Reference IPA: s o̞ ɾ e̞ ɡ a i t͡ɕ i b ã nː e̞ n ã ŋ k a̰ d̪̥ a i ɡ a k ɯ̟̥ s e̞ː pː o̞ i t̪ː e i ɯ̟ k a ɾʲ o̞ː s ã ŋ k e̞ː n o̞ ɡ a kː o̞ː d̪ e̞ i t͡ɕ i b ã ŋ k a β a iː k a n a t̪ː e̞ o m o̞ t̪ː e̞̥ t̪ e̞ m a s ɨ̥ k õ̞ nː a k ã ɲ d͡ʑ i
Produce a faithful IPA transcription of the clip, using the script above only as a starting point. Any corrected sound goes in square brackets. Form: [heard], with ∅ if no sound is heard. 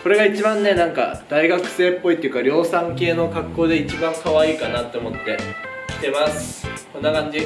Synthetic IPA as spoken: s o̞ ɾ e̞ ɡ a i t͡ɕ i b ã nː e̞ n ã ŋ k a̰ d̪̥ a i ɡ a k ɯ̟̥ s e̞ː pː o̞ i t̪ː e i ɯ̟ k a ɾʲ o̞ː s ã ŋ k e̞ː n o̞ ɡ a kː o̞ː d̪ e̞ i t͡ɕ i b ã ŋ k a β a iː k a n a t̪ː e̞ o m o̞ t̪ː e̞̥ t̪ e̞ m a s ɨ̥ k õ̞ nː a k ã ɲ d͡ʑ i